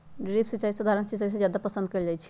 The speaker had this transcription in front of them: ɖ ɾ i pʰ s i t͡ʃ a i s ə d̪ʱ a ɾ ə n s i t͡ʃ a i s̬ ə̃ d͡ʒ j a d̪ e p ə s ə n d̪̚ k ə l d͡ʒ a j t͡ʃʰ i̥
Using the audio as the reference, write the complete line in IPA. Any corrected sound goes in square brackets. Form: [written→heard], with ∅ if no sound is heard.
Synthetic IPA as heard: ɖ ɾ i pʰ s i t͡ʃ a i s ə d̪ʱ a ɾ ə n s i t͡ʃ a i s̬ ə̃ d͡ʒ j a d̪ [e→a] p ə s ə n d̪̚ k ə l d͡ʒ a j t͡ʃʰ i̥